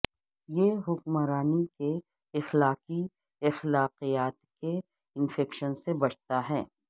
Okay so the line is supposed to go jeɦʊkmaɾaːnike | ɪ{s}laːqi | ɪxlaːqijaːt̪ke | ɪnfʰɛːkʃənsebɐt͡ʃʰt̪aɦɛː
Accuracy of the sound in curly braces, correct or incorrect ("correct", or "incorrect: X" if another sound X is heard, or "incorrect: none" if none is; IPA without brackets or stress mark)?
incorrect: x